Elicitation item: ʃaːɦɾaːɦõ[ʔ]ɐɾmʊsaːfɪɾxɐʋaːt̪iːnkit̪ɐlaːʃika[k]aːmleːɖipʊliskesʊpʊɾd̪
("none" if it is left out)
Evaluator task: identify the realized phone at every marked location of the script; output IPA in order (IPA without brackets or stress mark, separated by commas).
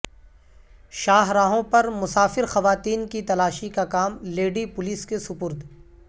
p, k